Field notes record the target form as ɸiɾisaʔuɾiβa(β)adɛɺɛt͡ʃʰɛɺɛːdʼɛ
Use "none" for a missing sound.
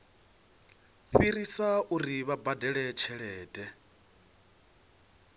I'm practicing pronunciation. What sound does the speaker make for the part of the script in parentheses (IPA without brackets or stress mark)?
b